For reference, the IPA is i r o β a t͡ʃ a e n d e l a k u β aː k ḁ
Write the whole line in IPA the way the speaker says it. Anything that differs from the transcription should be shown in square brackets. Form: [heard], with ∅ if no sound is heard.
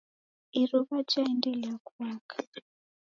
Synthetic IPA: i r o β a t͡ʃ a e n d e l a k u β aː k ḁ